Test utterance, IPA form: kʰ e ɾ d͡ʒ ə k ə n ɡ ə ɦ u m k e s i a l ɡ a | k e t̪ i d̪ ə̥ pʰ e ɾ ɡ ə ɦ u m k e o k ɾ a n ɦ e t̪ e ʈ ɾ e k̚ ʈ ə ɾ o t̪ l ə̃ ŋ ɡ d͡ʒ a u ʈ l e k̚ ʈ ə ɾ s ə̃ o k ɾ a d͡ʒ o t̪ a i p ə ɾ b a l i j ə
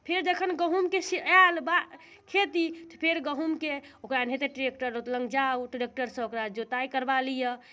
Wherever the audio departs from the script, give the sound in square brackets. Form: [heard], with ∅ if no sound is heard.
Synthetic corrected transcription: [pʰ] e ɾ d͡ʒ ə [kʰ] ə n ɡ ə ɦ u m k e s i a l [b] a | [kʰ] e t̪ i [t̪] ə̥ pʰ e ɾ ɡ ə ɦ u m k e o k ɾ a n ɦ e t̪ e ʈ ɾ e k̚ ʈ ə ɾ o t̪ l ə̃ ŋ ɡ d͡ʒ a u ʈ [ɾ] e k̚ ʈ ə ɾ s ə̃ o k ɾ a d͡ʒ o t̪ a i [k] ə ɾ b a l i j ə